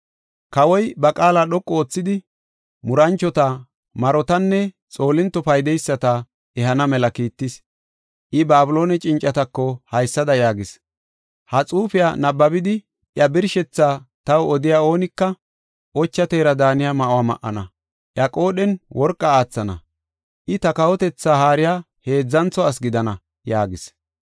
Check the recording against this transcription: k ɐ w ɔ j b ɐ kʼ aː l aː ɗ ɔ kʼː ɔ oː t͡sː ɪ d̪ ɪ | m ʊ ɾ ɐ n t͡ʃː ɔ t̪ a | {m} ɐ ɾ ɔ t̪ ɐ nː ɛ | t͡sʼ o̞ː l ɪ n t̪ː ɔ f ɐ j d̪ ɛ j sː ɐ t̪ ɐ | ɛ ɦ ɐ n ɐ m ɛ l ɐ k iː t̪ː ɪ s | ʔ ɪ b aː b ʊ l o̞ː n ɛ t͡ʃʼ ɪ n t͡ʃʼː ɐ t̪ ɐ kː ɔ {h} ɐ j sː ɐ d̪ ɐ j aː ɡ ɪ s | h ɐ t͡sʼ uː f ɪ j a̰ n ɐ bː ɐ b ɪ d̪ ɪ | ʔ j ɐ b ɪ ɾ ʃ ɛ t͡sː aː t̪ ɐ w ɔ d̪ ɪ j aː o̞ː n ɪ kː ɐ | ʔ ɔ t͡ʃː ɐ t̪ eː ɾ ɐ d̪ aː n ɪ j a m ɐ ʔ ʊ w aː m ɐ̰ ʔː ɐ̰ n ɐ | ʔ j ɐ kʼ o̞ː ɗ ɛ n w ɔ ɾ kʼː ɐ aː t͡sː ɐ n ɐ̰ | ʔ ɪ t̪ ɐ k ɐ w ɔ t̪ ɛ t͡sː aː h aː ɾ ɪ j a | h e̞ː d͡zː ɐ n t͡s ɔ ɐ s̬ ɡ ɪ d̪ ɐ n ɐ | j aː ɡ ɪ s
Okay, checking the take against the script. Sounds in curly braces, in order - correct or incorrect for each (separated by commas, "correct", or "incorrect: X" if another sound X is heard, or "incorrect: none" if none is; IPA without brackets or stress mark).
correct, correct